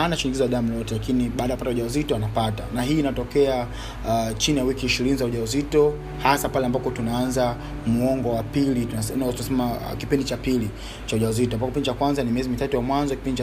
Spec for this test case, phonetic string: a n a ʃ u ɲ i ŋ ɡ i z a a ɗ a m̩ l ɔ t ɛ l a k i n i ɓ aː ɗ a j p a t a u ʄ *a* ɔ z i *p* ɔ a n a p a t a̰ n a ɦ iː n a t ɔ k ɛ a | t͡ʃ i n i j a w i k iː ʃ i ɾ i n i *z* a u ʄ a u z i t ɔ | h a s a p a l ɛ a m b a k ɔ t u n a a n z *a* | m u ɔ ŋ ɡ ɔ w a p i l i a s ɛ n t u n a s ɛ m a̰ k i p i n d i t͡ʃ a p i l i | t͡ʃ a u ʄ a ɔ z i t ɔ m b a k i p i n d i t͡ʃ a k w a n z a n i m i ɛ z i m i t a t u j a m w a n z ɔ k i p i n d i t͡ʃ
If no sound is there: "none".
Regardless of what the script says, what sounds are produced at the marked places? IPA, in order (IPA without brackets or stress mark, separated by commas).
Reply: a, t, z, a